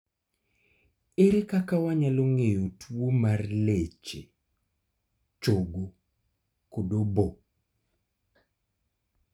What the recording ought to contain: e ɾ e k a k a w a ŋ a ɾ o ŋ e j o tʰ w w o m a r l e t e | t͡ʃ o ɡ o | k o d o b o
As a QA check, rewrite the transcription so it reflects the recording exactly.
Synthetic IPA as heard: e ɾ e k a k a w a ɲ a l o ŋ e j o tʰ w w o m a r l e t͡ʃ e | t͡ʃ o ɡ o | k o d o b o